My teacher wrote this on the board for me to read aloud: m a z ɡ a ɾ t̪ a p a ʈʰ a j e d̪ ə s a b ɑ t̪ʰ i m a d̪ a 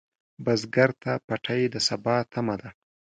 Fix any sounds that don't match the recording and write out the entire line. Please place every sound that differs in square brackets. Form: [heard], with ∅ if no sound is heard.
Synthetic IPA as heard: [b] a z ɡ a ɾ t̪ a p a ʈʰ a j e d̪ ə s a b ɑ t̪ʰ [a] m a d̪ a